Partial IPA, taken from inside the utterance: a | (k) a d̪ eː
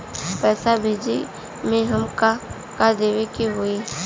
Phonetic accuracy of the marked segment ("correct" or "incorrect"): correct